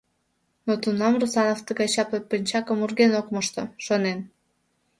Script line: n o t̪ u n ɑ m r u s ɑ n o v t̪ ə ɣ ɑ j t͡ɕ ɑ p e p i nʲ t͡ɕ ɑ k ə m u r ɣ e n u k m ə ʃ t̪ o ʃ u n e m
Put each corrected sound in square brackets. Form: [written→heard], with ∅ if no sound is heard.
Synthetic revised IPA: n o t̪ u n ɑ m r u s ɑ n o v t̪ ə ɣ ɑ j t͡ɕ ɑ p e p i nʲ t͡ɕ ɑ k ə m u r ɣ e n [u→o] k m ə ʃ t̪ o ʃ [u→o] n e [m→n]